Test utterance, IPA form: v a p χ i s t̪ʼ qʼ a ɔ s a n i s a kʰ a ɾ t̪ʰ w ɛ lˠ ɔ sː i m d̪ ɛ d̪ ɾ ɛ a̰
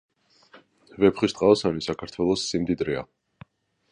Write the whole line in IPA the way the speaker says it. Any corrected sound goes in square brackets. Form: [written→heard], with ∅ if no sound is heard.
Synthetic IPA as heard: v [a→ɛ] p χ i s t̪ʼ qʼ a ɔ s a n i s a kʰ a ɾ t̪ʰ w ɛ lˠ ɔ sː i m d̪ [ɛ→i] d̪ ɾ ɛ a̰